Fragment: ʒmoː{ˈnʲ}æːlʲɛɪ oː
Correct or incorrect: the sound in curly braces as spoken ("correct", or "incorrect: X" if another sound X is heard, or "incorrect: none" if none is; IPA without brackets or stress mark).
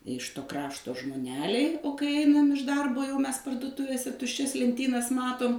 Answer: correct